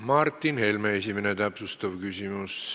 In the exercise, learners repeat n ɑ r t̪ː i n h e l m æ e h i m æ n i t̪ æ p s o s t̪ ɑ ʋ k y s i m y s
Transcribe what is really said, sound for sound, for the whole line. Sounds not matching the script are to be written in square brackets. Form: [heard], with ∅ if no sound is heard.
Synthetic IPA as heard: [m] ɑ r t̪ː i n h e l m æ e [s] i m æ n [e] t̪ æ p s [u] s t̪ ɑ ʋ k y s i m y s